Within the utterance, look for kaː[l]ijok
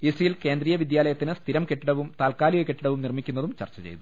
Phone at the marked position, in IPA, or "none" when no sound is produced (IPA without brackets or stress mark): l